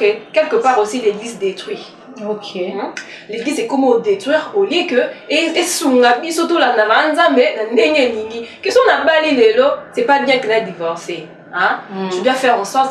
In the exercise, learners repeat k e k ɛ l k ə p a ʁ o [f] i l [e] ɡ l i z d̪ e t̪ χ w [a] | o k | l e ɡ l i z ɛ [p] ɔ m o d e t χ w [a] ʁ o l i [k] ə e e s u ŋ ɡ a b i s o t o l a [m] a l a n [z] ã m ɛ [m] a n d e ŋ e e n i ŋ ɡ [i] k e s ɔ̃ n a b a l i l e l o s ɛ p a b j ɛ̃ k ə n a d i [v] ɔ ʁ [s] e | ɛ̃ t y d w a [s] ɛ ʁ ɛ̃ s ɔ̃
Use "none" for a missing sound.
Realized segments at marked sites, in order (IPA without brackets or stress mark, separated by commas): s, e, i, k, i, k, n, z, n, i, v, s, f